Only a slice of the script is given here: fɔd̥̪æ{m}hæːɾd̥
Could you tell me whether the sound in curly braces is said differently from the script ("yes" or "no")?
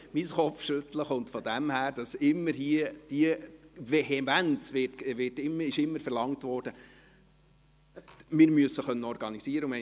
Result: no